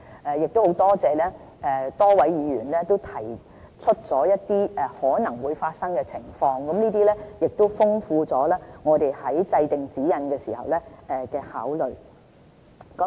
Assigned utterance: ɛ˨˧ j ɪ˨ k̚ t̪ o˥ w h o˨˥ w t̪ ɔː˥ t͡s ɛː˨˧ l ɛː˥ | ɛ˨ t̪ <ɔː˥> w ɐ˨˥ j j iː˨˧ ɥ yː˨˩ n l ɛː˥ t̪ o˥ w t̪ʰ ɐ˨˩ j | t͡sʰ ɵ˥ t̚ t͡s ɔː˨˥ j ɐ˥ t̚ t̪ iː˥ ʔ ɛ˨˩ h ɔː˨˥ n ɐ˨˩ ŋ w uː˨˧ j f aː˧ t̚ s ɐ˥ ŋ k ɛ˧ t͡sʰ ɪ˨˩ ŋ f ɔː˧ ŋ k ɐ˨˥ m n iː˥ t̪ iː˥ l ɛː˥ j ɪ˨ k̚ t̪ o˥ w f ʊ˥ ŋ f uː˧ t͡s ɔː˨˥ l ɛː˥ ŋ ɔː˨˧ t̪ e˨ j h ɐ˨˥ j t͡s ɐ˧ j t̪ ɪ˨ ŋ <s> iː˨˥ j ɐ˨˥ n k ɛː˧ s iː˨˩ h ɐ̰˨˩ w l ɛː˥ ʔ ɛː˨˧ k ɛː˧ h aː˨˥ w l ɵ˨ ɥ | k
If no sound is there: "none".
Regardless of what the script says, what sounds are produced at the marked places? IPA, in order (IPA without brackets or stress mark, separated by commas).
ɔː˥, t͡s